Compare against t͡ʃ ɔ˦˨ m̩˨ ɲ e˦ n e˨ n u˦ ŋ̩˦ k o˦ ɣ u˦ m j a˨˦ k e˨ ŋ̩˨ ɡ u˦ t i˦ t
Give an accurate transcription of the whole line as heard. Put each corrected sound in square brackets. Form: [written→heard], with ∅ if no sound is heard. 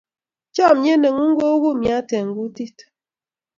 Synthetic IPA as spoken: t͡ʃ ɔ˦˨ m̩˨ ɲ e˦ n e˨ [n→ŋ] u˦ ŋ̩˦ [k→ɡ] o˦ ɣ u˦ m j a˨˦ [k→t] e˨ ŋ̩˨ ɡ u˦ t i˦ t

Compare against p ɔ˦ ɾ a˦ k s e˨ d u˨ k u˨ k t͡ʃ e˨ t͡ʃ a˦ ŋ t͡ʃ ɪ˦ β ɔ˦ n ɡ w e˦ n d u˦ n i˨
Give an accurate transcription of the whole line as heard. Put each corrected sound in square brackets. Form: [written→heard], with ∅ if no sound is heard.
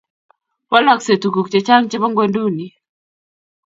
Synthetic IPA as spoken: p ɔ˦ [ɾ→l] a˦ k s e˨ [d→t] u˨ k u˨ k t͡ʃ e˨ t͡ʃ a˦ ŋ t͡ʃ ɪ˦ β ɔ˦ [n→ŋ] ɡ w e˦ n d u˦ n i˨

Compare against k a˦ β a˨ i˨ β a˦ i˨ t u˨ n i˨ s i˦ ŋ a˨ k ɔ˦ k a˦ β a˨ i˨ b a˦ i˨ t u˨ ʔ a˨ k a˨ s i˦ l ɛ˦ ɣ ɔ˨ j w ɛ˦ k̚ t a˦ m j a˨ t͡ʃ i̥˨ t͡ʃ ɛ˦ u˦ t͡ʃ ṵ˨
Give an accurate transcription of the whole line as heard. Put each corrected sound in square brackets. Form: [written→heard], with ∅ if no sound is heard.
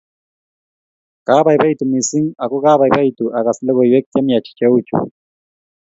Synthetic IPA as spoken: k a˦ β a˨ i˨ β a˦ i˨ t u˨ [n→m] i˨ s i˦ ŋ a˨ k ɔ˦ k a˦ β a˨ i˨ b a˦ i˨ t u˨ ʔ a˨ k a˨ s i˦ l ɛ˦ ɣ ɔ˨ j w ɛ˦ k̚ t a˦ m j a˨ t͡ʃ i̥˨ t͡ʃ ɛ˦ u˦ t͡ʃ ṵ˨

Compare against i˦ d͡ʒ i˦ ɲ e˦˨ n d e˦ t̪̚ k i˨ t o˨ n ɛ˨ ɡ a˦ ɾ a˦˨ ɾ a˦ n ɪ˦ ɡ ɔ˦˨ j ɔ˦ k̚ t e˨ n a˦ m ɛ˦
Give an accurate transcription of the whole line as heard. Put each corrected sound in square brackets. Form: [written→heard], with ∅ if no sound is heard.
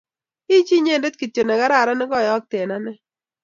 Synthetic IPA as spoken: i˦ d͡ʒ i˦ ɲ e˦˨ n d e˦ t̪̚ k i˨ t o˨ n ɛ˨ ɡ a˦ ɾ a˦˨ ɾ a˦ n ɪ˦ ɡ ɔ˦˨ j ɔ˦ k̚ t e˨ n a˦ [m→n] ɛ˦

